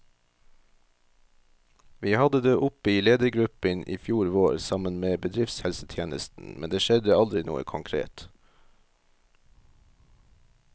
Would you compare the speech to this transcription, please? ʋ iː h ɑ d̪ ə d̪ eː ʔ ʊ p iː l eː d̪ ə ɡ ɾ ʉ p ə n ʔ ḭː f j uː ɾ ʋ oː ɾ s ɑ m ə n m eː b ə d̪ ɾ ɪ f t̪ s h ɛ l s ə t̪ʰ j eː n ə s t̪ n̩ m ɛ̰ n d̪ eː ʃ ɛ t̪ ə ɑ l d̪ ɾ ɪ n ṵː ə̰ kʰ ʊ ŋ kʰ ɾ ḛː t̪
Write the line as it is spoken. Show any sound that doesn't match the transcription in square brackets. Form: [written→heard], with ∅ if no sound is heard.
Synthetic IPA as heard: ʋ iː h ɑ d̪ ə d̪ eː ʔ ʊ p iː l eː d̪ ə ɡ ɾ ʉ p ə n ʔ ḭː f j uː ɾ ʋ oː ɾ s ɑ m ə n m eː b ə d̪ ɾ ɪ f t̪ s h ɛ l s ə t̪ʰ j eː n ə s t̪ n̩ m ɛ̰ n d̪ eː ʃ ɛ [t̪→d̪] ə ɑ l d̪ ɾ ɪ n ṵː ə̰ kʰ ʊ ŋ kʰ ɾ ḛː t̪